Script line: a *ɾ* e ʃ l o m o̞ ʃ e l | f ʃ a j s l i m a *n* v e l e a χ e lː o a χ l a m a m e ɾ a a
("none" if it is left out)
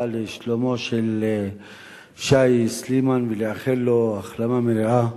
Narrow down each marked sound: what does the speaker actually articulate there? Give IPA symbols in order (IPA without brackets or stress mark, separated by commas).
l, n